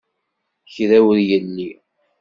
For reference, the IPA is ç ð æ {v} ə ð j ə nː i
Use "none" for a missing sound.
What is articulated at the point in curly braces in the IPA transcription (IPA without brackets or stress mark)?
w